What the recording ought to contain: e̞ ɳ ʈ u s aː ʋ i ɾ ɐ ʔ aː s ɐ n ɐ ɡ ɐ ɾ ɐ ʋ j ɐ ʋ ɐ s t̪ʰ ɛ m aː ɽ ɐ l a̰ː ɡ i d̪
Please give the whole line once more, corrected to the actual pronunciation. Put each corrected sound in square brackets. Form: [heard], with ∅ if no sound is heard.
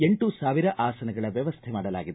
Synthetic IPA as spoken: e̞ ɳ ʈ u s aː ʋ i ɾ ɐ ʔ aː s ɐ n ɐ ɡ ɐ [ɭ] ɐ ʋ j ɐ ʋ ɐ s t̪ʰ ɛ m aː ɽ ɐ l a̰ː ɡ i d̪